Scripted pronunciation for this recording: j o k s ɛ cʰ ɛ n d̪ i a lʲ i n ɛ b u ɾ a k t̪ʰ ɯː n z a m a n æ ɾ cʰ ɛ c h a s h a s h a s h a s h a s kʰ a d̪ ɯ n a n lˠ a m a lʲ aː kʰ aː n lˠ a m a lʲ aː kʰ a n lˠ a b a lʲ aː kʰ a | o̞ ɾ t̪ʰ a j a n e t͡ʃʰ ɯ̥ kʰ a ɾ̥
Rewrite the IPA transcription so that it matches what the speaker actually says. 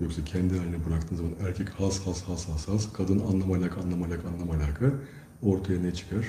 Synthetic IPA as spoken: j o k s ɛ cʰ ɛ n d̪ i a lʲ i n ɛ b u ɾ a k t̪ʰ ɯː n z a m a n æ ɾ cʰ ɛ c h a s h a s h a s h a s h a s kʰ a d̪ ɯ n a n lˠ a m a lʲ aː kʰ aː n lˠ a m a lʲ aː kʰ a n lˠ a m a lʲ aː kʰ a | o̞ ɾ t̪ʰ a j a n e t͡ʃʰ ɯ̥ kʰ a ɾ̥